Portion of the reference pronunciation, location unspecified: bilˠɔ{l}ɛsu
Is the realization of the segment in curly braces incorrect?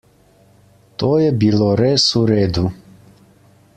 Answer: yes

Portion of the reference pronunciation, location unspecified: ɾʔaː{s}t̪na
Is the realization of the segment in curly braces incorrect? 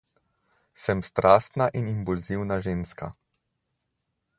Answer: no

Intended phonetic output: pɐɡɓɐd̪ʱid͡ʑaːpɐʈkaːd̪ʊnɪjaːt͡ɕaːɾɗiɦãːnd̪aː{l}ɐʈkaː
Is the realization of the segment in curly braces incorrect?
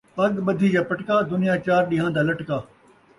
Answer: no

